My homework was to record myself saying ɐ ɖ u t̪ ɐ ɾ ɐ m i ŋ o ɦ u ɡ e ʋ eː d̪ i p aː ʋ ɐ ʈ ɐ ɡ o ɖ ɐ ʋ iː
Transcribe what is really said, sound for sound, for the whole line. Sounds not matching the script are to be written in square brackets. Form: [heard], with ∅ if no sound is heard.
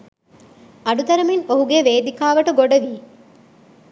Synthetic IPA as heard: ɐ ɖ u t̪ ɐ ɾ ɐ m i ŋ o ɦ u ɡ e ʋ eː d̪ i [k] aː ʋ ɐ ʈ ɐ ɡ o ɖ ɐ ʋ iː